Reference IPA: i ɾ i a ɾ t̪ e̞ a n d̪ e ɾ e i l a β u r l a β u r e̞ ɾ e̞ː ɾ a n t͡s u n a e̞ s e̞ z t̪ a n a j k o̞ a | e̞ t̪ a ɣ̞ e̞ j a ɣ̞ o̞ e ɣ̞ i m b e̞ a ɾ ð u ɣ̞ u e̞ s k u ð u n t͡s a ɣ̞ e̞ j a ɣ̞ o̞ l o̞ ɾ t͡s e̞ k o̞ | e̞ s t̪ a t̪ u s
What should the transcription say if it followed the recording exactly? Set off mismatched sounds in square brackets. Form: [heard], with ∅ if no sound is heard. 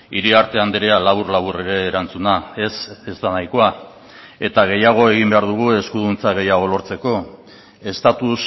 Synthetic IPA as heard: i ɾ i a ɾ t̪ e̞ a n d̪ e ɾ e [a] l a β u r l a β u r e̞ ɾ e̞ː ɾ a n t͡s u n a e̞ s e̞ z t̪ a n a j k o̞ a | e̞ t̪ a ɣ̞ e̞ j a ɣ̞ o̞ e ɣ̞ i m b e̞ a ɾ ð u ɣ̞ u e̞ s k u ð u n t͡s a ɣ̞ e̞ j a ɣ̞ o̞ l o̞ ɾ t͡s e̞ k o̞ | e̞ s t̪ a t̪ u s